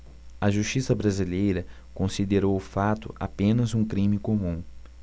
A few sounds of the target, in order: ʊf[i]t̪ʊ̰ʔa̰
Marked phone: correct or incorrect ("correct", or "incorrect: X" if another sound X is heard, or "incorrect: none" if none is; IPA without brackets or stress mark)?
incorrect: a